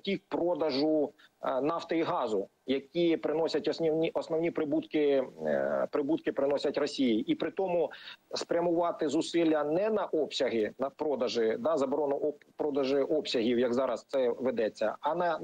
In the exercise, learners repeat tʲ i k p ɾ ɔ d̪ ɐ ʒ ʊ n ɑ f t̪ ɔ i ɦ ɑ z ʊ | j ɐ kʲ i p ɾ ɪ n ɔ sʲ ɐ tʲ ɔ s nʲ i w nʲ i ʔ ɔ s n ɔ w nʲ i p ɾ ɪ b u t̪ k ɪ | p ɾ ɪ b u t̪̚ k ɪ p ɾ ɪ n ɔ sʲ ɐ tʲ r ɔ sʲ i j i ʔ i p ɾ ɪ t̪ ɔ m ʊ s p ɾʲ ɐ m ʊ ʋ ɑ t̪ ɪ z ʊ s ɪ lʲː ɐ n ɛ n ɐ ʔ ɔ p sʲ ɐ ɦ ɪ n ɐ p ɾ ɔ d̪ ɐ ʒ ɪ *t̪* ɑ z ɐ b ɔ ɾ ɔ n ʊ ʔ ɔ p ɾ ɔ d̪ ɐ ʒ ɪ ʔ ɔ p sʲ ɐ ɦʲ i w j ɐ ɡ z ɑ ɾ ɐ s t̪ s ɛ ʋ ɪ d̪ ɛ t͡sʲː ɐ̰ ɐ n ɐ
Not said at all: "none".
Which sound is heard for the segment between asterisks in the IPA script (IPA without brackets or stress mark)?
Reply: d̪